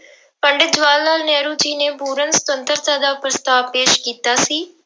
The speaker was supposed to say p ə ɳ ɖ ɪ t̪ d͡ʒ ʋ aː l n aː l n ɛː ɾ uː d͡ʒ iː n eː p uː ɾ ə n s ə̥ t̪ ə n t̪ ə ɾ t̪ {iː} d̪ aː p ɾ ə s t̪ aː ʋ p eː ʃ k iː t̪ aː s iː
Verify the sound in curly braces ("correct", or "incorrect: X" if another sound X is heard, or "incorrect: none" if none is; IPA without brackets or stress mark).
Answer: incorrect: aː